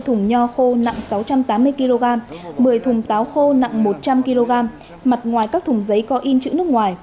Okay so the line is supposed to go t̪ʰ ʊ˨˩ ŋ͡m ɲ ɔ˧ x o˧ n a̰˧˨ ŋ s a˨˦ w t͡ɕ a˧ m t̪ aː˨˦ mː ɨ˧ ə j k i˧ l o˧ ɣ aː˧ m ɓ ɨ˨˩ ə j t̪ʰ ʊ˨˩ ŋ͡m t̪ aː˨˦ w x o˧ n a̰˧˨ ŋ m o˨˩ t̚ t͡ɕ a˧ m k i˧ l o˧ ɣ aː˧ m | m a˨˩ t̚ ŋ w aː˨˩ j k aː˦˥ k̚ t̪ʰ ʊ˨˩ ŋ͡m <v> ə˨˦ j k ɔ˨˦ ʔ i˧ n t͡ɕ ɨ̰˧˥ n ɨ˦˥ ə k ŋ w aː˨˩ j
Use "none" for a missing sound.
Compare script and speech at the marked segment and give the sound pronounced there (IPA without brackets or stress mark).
z